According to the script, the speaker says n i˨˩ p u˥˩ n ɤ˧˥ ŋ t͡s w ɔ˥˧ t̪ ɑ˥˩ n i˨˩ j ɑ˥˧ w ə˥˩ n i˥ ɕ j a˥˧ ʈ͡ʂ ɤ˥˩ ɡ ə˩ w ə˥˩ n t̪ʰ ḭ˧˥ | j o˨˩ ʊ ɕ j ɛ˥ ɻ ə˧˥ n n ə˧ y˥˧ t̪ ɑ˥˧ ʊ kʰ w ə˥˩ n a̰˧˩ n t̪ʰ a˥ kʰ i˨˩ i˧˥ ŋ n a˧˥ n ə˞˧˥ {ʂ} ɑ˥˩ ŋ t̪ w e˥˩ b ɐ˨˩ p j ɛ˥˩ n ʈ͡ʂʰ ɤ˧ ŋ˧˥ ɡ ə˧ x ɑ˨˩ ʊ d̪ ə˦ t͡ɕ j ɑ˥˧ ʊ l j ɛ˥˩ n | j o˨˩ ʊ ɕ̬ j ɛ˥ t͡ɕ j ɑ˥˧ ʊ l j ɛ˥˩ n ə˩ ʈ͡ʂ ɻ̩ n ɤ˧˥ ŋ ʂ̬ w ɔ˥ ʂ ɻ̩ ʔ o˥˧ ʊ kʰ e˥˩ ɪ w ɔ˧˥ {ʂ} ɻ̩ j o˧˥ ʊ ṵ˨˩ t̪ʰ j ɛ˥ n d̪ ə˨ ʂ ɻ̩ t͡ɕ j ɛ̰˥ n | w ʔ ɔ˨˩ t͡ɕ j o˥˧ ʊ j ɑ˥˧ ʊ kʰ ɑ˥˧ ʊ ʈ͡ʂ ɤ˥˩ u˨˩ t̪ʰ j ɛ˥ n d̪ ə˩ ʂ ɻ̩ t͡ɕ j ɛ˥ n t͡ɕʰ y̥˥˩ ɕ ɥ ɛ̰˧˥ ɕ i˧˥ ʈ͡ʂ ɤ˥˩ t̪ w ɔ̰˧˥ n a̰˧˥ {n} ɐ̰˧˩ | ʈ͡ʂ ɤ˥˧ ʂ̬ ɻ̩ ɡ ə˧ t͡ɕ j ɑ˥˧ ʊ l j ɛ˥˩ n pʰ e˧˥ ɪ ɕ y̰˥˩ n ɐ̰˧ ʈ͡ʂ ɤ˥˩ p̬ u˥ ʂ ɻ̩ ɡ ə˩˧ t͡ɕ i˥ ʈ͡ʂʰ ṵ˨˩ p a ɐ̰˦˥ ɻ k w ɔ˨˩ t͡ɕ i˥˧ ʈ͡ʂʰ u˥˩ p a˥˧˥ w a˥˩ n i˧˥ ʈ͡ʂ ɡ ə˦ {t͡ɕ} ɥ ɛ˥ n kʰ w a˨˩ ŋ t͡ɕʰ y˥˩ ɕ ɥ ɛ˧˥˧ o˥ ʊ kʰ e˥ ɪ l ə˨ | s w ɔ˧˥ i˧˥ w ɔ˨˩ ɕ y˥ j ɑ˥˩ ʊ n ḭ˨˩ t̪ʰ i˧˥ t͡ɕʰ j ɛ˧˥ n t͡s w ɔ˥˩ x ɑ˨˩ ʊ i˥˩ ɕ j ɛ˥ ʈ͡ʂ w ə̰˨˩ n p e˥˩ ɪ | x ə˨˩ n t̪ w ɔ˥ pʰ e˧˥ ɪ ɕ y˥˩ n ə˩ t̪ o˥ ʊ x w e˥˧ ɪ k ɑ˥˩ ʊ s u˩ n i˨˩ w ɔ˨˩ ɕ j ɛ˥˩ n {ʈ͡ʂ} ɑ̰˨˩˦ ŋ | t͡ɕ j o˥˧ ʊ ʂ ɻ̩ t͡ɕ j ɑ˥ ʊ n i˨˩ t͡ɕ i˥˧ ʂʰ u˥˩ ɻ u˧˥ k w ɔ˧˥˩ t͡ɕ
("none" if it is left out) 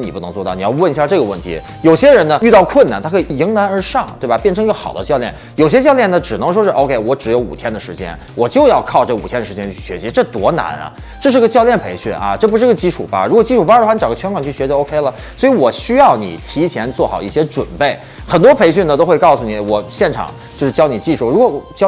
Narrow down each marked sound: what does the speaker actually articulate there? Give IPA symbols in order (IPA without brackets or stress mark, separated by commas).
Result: ʂ, ʈ͡ʂ, n, t͡ɕʰ, ʈ͡ʂʰ